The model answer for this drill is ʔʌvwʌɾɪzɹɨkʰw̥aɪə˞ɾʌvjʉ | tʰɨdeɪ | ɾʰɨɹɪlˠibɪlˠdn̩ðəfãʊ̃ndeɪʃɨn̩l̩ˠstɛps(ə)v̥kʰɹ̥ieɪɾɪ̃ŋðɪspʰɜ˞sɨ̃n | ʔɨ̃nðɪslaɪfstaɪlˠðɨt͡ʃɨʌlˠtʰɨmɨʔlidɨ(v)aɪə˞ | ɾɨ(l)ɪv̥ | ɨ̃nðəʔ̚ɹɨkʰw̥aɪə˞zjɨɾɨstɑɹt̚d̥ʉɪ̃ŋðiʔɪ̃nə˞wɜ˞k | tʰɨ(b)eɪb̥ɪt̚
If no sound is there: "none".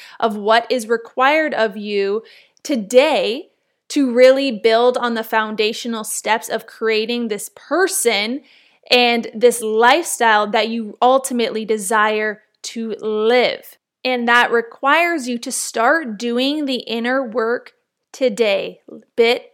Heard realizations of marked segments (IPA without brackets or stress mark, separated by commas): ʌ, z, l, d